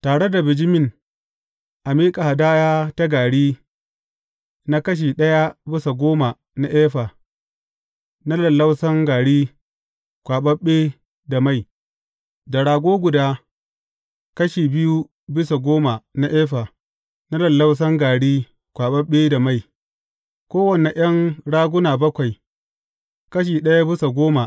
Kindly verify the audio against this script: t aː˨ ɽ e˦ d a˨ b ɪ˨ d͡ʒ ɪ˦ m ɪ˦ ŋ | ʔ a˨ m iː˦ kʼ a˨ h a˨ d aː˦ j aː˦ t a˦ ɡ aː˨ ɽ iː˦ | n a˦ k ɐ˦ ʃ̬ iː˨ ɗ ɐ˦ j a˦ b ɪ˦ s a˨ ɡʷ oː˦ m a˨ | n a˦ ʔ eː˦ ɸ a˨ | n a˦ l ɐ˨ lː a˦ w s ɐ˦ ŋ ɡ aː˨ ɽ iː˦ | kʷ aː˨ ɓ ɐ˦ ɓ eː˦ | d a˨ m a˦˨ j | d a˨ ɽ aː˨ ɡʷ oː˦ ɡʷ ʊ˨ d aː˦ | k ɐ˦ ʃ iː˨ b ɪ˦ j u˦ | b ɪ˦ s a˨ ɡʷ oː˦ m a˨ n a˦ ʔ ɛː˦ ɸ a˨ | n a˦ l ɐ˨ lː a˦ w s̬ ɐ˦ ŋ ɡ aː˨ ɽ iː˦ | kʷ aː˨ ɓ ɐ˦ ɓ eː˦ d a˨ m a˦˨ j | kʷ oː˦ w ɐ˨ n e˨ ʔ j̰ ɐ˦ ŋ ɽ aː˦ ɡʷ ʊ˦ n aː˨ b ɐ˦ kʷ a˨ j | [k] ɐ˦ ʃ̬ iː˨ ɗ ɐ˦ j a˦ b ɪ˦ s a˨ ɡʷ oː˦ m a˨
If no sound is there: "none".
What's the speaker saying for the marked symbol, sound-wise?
k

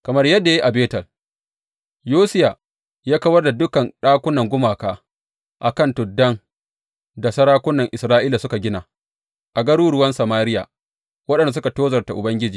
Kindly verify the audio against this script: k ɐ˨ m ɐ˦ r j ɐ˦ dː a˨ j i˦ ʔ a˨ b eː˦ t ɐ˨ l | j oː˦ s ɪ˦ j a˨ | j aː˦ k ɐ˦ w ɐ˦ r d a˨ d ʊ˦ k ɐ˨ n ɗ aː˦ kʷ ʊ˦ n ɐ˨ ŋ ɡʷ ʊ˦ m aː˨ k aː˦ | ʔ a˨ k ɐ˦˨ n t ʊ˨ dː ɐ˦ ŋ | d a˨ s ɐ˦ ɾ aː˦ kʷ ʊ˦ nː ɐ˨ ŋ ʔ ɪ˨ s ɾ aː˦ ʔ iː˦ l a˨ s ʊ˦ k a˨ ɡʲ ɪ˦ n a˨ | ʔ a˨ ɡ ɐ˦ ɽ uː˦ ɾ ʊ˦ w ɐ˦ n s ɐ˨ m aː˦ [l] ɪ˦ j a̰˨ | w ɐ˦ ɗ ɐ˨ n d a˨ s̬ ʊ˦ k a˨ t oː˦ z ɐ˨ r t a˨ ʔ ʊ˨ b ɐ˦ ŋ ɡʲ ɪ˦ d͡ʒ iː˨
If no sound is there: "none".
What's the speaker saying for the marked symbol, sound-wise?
ɾ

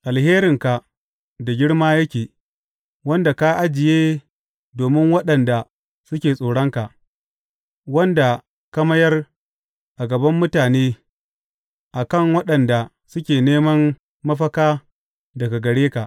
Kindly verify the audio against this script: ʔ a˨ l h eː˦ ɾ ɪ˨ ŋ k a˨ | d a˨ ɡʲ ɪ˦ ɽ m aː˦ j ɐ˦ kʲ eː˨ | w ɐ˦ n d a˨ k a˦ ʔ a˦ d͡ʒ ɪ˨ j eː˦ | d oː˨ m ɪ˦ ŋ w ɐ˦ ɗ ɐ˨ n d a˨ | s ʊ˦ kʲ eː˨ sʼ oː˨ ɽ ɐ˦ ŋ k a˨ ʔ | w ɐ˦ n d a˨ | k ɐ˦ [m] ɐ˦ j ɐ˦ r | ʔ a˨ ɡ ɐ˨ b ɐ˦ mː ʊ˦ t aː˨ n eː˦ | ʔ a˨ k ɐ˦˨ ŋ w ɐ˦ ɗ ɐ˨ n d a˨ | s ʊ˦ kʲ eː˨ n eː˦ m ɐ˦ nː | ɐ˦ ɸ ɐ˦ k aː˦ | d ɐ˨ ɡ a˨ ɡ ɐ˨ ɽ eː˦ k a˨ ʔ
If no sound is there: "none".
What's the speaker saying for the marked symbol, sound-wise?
m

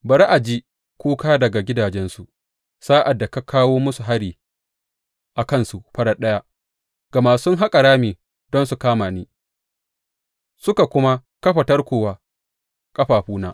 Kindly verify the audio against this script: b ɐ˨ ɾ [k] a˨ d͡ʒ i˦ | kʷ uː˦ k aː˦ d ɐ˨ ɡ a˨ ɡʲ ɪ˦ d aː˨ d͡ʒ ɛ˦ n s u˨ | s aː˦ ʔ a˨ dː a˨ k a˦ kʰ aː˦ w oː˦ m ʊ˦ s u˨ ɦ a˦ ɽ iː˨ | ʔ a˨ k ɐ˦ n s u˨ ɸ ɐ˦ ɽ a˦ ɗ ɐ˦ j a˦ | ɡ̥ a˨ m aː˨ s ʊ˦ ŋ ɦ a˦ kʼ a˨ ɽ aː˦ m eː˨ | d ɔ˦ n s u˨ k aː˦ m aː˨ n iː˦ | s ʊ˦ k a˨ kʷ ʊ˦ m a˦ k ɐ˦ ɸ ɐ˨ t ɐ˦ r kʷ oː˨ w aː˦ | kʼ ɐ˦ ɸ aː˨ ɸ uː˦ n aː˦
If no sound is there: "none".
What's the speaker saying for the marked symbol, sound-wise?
ʔ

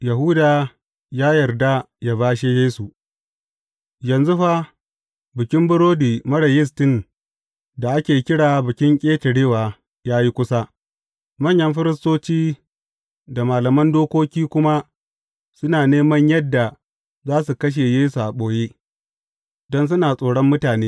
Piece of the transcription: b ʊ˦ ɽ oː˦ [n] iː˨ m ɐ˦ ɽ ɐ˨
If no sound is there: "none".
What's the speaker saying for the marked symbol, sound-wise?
d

